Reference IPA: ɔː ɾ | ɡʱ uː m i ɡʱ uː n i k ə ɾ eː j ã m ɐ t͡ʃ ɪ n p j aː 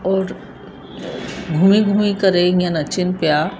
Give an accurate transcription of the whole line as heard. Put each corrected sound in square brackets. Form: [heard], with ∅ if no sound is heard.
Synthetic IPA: ɔː ɾ | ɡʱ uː m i ɡʱ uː [m] i k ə ɾ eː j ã [n] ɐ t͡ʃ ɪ n p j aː